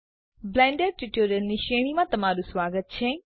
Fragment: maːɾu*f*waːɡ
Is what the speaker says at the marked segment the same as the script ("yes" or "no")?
no